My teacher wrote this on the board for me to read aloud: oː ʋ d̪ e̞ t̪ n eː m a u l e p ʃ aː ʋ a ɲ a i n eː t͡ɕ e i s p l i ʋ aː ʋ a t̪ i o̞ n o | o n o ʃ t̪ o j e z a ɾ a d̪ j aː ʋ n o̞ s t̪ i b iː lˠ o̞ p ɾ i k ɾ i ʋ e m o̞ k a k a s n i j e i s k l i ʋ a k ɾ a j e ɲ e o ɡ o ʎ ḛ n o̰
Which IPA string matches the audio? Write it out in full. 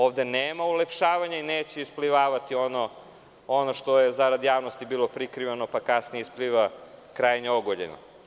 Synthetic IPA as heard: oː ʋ d̪ e̞ n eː m a u l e p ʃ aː ʋ a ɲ a i n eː t͡ɕ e i s p l i ʋ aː ʋ a t̪ i o̞ n o | o n o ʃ t̪ o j e z a ɾ a d̪ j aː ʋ n o̞ s t̪ i b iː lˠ o̞ p ɾ i k ɾ i ʋ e n o̞ p a k a s n i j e i s p l i ʋ a k ɾ a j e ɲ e o ɡ o ʎ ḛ n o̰